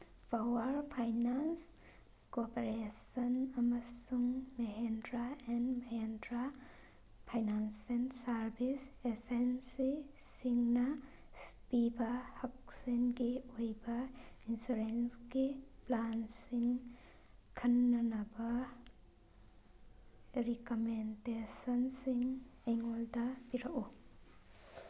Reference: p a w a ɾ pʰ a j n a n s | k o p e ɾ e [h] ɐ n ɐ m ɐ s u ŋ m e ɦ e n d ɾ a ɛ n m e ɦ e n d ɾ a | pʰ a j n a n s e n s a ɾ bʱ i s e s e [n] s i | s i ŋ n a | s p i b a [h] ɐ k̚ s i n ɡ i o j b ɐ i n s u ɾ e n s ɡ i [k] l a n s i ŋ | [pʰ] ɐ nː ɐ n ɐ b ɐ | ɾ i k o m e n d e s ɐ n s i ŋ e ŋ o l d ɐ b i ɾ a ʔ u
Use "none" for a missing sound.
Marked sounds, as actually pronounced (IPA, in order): s, n, h, p, kʰ

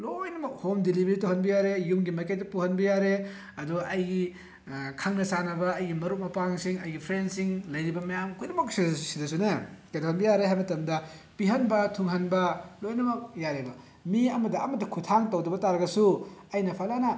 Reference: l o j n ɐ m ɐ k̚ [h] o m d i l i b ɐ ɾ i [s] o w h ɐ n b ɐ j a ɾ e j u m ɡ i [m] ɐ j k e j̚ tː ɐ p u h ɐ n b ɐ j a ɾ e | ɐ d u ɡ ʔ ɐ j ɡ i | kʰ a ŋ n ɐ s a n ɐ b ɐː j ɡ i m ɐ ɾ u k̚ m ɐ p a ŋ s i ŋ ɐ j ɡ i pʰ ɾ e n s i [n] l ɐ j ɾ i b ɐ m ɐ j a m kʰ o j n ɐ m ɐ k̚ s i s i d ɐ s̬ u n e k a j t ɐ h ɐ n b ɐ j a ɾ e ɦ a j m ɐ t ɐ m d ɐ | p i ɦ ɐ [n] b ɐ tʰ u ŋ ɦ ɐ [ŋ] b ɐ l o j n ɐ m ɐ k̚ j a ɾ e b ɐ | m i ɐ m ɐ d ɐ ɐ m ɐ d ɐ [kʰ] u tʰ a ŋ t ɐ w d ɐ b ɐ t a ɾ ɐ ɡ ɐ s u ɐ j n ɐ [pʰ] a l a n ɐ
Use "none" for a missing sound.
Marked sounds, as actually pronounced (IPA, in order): h, t, m, ŋ, n, n, kʰ, pʰ

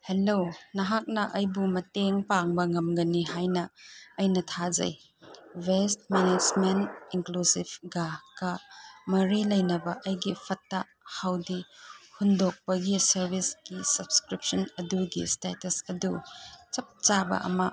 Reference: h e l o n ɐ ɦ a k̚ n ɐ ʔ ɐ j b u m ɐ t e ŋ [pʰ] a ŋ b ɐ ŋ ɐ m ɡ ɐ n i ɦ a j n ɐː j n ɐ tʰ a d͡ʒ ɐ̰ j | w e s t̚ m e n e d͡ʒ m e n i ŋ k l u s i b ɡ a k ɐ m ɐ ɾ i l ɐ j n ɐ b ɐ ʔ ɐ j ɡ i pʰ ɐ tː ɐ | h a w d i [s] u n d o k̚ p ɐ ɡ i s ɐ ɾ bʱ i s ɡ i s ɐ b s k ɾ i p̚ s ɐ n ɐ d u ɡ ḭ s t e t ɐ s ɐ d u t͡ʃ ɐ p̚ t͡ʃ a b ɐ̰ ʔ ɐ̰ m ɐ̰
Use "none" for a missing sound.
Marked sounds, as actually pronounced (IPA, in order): p, h

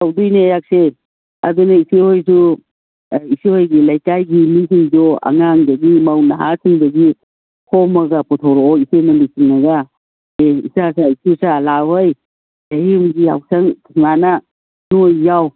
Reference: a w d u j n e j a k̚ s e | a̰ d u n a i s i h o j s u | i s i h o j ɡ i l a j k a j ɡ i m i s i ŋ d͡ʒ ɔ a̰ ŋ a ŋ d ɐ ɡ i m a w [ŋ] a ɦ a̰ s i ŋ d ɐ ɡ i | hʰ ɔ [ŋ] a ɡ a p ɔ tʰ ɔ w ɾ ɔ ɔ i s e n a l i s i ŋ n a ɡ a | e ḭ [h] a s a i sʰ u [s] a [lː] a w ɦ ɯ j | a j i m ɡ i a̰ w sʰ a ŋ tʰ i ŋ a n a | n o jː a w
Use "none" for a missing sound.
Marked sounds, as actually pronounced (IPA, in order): n, m, s, s, l

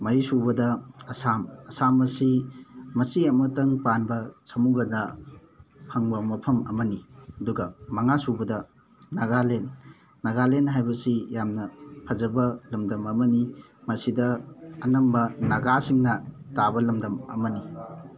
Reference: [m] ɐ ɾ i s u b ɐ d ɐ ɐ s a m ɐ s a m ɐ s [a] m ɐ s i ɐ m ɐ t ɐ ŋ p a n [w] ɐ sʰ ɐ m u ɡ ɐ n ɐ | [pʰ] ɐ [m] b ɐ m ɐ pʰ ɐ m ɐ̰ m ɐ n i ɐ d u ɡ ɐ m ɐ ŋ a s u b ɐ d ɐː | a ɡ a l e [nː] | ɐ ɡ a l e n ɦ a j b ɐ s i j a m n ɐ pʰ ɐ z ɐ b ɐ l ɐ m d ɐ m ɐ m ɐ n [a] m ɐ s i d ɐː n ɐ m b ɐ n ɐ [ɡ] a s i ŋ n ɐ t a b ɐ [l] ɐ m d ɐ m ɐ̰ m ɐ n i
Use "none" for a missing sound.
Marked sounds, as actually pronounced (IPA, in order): m, i, b, pʰ, ŋ, nː, i, ɡ, l

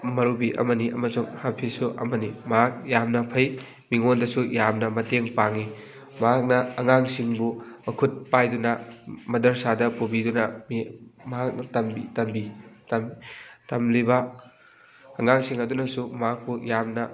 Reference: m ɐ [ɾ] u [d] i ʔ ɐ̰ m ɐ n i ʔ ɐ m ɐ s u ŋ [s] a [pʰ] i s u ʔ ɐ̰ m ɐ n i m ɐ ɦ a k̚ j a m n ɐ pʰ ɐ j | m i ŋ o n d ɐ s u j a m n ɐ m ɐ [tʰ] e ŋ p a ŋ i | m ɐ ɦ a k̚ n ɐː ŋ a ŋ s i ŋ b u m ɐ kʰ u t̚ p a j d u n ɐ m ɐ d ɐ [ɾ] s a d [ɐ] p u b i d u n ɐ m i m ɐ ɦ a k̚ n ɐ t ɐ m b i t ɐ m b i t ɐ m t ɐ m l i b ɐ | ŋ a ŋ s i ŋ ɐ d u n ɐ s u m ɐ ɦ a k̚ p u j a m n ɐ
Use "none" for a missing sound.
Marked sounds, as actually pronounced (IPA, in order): ɾ, b, h, pʰ, t, ɾ, ɐ

